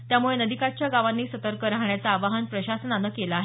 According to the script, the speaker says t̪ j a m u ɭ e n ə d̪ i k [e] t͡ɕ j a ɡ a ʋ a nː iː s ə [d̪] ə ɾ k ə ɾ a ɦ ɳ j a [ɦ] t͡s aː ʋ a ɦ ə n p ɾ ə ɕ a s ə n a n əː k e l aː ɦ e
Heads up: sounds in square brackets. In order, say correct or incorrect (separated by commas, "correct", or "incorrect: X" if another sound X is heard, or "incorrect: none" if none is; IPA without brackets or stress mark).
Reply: incorrect: a, incorrect: t̪, incorrect: none